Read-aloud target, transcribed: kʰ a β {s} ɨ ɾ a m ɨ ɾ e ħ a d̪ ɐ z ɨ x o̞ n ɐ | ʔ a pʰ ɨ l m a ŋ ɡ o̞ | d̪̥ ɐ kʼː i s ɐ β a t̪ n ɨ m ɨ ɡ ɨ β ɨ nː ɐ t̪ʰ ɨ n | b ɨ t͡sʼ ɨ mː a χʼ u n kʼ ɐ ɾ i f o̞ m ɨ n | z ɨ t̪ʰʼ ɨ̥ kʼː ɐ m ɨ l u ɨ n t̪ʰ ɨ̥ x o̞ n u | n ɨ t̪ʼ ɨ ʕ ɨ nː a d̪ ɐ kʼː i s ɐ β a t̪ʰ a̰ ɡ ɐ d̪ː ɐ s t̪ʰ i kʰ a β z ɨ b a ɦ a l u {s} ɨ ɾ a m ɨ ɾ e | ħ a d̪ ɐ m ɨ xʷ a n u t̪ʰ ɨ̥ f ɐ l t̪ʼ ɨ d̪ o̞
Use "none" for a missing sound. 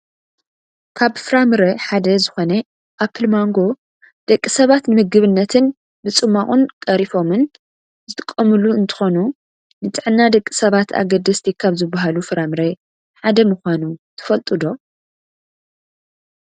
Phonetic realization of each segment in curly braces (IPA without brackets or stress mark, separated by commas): f, f